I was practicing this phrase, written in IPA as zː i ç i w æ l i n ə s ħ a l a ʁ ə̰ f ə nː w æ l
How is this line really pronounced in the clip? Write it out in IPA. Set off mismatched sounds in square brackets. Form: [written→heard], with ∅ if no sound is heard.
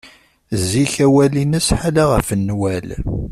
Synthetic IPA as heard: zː i ç [i→æ] w æ l i n ə s ħ a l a ʁ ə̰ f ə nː w æ l